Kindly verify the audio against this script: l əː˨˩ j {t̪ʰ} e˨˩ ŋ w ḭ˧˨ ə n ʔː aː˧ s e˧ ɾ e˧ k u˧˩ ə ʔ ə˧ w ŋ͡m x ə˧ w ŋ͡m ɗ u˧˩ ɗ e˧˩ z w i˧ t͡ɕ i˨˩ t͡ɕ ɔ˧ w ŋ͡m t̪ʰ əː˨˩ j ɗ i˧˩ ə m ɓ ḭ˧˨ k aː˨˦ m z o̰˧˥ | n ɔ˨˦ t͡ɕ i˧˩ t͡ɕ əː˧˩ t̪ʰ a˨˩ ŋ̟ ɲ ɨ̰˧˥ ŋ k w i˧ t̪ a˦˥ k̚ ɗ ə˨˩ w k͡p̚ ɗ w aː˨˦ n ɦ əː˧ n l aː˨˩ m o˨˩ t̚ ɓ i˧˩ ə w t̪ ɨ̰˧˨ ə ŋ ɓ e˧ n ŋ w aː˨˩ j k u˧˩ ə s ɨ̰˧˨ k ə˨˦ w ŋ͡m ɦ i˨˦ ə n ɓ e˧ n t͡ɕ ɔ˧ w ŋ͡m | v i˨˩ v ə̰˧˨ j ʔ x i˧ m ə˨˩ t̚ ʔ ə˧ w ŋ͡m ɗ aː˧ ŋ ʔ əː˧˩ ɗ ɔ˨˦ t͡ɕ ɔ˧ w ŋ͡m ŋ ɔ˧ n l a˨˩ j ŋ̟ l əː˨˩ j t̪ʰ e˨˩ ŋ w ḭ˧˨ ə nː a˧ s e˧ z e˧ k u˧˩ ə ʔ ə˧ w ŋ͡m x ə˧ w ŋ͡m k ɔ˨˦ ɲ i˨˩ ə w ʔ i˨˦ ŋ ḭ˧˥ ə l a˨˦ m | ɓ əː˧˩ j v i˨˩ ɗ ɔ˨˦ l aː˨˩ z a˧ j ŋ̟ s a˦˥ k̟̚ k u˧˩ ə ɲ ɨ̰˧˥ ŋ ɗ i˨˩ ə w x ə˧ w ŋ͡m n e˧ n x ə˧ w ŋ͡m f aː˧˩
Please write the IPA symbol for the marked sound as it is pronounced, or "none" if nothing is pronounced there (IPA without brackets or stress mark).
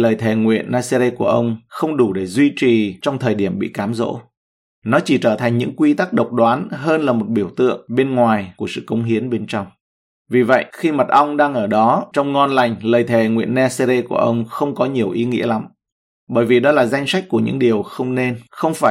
t̪ʰ